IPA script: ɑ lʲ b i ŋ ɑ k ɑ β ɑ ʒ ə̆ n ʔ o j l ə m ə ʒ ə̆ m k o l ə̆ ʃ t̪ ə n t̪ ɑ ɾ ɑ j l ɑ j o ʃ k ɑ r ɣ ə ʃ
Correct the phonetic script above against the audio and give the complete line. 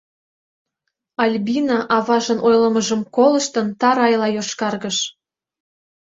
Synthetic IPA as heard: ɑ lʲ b i n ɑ ʔ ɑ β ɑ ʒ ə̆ n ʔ o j l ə m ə ʒ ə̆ m k o l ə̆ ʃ t̪ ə n t̪ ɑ ɾ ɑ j l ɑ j o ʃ k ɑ r ɣ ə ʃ